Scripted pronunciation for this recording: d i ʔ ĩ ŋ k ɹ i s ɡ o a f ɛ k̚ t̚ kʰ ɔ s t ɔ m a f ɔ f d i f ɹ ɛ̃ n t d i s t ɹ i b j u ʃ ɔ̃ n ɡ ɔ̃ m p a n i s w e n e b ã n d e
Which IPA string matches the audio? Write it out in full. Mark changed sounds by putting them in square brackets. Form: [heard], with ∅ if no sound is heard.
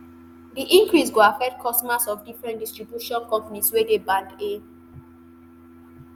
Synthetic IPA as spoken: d i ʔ ĩ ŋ k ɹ i s ɡ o a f ɛ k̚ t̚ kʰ ɔ s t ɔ m a [s] ɔ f d i f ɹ ɛ̃ n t d i s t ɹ i b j u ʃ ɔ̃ n [k] ɔ̃ m p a n i s w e [d] e b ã n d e